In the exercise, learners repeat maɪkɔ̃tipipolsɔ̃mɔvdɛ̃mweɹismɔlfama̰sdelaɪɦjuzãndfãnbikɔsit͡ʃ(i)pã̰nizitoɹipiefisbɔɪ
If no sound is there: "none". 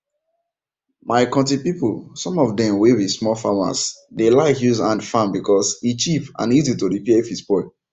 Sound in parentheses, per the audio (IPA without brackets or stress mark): i